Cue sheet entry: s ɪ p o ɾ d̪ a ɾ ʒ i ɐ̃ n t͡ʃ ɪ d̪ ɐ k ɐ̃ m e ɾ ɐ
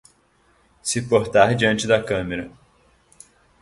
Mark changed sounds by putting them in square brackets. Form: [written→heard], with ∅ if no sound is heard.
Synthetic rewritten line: s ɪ p o ɾ [d̪→t̪] a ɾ [ʒ→d͡ʒ] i ɐ̃ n t͡ʃ ɪ d̪ ɐ k ɐ̃ m e ɾ ɐ